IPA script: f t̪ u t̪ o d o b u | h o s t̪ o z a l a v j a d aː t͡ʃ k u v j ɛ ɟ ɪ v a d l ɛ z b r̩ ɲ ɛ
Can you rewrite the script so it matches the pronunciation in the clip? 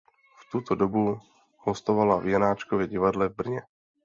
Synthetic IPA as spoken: f t̪ u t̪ o d o b u | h o s t̪ o v a l a v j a n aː t͡ʃ k o v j ɛ ɟ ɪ v a d l ɛ v b r̩ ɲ ɛ